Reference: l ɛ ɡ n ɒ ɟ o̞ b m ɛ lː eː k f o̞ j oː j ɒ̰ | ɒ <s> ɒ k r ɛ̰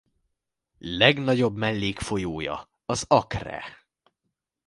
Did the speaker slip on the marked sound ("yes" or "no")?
yes